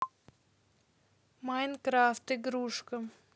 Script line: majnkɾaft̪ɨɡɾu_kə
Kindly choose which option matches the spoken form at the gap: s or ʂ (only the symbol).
ʂ